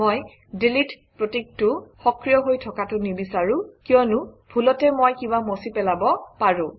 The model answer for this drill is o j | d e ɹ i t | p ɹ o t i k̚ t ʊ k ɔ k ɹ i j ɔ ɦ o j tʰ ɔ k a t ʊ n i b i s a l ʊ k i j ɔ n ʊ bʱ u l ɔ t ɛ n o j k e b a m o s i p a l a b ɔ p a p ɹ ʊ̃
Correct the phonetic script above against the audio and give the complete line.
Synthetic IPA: o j | d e l i t | p ɹ o t i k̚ t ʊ x ɔ k ɹ i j ɔ ɦ o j tʰ ɔ k a t ʊ n i b i s a ɹ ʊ k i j ɔ n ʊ bʱ u l ɔ t ɛ m o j k i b a m o s i p ɛ l a b ɔ p a ɹ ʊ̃